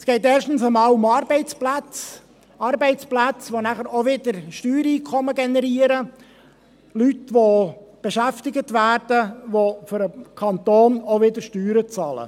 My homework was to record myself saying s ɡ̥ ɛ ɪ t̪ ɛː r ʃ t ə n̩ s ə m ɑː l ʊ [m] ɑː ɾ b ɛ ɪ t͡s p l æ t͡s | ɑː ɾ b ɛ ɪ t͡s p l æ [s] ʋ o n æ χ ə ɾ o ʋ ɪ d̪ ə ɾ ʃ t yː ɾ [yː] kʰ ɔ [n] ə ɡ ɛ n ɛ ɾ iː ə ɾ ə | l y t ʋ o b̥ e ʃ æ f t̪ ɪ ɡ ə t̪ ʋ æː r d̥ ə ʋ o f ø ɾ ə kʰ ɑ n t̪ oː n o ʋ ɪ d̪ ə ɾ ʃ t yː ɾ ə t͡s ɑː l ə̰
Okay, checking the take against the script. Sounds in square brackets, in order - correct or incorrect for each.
correct, incorrect, incorrect, incorrect

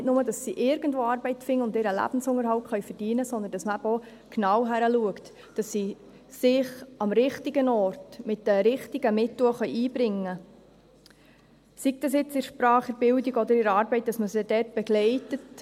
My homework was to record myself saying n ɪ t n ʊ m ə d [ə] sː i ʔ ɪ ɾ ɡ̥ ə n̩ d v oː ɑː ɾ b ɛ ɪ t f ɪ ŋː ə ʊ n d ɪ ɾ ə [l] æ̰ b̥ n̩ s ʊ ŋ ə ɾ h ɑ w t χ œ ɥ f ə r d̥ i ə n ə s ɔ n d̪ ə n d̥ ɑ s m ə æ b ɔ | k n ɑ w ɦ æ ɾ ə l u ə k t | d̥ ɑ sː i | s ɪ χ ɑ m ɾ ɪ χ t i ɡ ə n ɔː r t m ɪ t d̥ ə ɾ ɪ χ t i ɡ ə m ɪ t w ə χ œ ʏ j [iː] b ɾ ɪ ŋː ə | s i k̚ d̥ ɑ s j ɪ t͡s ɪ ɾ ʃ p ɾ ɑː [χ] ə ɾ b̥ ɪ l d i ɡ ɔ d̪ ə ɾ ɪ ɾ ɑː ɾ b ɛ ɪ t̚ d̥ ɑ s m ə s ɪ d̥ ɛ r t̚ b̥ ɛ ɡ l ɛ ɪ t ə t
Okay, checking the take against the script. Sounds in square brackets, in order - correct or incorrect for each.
incorrect, correct, correct, correct

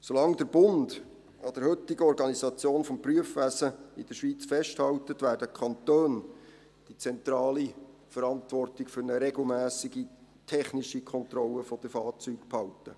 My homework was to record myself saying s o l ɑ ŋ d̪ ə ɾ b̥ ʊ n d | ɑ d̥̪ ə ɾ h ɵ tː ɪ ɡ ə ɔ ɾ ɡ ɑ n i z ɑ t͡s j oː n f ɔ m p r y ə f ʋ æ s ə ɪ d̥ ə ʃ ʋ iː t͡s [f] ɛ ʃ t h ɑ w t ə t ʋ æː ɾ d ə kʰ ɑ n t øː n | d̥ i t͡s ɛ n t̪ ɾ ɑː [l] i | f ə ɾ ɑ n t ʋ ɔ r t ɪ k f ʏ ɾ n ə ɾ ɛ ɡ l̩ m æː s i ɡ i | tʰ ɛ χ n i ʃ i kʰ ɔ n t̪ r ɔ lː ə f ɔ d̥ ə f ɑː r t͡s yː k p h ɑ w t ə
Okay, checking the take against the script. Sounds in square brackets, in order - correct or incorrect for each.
correct, correct

